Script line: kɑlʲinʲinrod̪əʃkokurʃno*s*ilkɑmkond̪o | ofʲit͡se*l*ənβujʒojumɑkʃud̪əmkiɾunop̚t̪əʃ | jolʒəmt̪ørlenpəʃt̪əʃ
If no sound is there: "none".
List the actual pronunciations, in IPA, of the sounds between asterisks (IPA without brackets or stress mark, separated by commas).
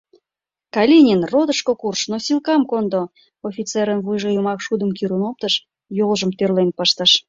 s, ɾ